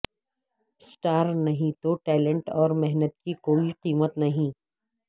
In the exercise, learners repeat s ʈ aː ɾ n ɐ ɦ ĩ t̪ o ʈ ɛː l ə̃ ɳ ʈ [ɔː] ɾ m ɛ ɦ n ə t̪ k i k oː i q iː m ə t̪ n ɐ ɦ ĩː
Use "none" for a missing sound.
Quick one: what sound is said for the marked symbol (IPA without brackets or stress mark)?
ɔː